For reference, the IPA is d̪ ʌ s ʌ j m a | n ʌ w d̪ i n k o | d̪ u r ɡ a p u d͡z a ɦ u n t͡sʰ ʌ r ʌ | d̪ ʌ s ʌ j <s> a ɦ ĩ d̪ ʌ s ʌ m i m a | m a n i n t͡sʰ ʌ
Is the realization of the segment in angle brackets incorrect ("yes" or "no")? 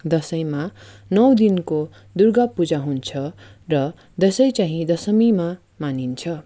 yes